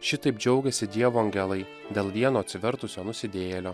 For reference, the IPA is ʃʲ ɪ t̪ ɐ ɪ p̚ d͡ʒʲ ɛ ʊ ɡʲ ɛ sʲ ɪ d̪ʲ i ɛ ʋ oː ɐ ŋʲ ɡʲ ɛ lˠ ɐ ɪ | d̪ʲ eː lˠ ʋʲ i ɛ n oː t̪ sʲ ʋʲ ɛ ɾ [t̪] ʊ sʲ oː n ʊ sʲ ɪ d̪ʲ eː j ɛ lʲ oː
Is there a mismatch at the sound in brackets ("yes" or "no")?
no